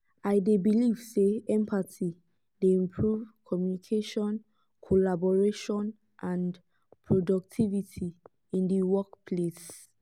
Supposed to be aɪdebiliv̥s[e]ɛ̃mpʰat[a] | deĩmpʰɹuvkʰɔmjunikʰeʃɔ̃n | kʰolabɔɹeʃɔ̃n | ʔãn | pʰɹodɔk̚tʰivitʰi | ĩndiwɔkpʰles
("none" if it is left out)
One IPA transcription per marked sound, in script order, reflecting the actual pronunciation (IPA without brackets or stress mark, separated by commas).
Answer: e, i